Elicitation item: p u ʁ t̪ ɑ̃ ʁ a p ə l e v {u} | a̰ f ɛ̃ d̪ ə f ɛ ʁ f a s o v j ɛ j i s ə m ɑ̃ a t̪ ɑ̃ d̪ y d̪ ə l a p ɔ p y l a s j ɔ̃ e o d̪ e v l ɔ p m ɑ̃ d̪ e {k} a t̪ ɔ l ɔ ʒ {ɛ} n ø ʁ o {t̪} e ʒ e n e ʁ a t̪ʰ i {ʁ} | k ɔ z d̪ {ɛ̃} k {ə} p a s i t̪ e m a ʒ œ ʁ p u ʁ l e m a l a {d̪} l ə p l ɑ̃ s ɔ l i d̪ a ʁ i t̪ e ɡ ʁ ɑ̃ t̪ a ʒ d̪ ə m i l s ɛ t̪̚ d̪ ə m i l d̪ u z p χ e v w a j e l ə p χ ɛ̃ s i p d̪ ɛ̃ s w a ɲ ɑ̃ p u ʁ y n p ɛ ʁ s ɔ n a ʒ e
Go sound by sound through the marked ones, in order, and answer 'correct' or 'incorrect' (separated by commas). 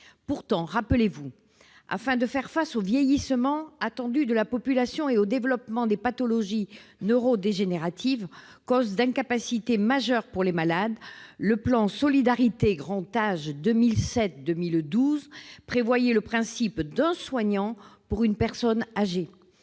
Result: correct, incorrect, incorrect, incorrect, incorrect, correct, incorrect, correct